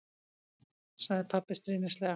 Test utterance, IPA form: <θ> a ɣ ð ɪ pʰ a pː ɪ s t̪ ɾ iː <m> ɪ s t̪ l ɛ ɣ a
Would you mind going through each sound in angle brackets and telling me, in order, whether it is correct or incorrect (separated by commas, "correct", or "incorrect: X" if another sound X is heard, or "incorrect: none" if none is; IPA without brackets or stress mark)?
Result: incorrect: s, incorrect: n